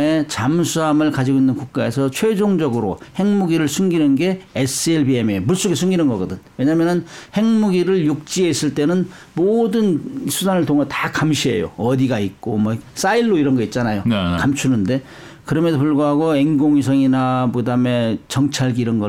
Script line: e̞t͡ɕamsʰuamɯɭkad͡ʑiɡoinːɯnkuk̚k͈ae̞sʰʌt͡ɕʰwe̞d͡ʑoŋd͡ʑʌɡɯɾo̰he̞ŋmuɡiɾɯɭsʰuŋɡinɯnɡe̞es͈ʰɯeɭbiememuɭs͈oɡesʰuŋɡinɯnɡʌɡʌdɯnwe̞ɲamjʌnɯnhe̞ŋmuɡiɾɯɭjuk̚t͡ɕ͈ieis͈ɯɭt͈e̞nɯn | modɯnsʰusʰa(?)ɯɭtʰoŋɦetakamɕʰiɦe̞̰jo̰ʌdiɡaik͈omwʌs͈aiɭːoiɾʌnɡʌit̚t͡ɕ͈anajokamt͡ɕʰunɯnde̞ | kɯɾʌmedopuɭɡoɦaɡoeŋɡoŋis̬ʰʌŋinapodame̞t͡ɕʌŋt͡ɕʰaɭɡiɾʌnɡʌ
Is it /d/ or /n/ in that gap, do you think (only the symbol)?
n